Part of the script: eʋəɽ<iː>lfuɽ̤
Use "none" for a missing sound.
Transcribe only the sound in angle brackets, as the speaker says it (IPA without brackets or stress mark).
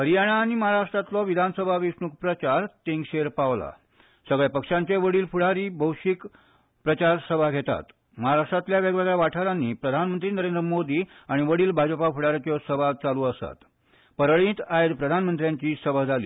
iː